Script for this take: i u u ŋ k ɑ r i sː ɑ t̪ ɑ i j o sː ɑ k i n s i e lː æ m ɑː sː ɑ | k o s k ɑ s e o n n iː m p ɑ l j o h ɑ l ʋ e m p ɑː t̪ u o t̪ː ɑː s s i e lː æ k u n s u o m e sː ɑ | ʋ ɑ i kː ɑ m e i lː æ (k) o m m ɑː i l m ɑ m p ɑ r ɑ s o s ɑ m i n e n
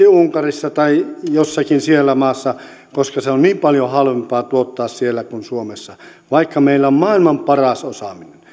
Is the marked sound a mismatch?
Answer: yes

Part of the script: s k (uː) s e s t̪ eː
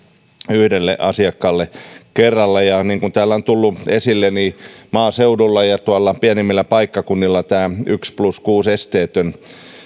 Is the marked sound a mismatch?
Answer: no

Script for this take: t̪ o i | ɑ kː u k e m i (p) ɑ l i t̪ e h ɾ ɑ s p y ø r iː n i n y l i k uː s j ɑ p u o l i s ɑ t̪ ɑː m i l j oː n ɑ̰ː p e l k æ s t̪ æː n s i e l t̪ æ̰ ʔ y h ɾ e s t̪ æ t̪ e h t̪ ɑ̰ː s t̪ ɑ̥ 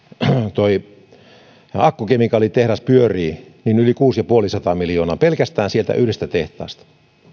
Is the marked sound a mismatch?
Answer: yes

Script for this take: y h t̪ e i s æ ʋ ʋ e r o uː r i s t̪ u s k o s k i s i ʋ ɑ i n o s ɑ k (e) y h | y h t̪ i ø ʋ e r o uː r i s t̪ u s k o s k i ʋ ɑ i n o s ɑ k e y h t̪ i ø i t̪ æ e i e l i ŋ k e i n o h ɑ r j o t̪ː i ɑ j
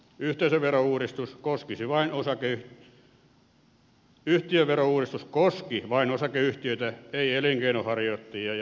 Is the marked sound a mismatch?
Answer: no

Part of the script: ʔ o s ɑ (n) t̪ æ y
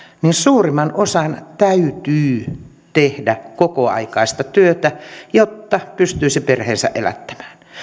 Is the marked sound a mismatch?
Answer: no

